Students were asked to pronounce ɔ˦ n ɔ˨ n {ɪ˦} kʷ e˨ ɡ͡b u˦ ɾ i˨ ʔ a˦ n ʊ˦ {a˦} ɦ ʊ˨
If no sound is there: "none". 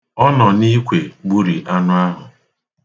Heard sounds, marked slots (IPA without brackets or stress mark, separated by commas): i˦, a˦